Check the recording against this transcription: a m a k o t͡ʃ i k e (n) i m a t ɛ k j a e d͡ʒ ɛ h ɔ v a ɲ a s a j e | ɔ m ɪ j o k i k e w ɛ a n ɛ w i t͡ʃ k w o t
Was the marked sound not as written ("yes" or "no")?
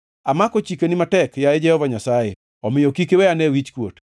no